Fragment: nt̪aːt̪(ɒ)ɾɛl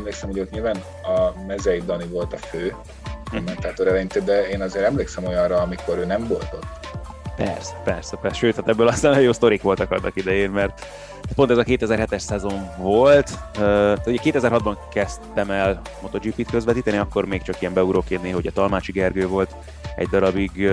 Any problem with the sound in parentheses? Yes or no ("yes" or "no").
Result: yes